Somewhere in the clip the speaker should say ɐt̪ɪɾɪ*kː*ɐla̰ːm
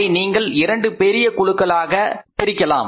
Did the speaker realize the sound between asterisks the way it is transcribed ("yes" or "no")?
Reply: yes